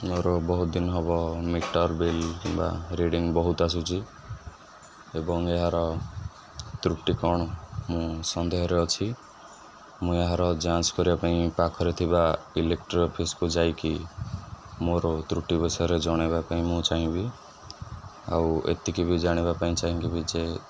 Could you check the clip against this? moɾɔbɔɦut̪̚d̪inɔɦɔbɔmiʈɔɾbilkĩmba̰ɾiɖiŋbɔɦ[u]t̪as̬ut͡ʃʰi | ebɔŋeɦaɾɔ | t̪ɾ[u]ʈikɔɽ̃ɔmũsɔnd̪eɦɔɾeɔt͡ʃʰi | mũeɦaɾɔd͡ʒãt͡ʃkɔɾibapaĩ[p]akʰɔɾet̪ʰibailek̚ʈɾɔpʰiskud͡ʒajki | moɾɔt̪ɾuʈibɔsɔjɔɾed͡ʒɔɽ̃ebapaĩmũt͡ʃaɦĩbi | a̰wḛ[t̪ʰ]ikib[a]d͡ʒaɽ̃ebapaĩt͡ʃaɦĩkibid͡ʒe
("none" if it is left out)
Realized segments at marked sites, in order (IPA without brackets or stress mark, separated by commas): u, u, p, t̪, i